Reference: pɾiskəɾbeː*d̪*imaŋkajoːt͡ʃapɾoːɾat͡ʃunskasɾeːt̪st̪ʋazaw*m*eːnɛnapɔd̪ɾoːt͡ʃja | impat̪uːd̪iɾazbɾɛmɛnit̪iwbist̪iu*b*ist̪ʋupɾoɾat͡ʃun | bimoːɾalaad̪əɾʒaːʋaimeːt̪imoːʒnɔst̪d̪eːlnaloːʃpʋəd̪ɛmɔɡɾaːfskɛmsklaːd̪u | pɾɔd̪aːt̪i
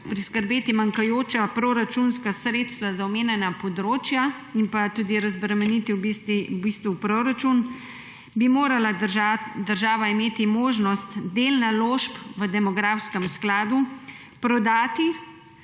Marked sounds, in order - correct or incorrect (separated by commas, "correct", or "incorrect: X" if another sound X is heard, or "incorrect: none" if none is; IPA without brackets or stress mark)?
incorrect: t̪, correct, correct